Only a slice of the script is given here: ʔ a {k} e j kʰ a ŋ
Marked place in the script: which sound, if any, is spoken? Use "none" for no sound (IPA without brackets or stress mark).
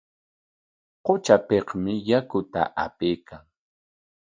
p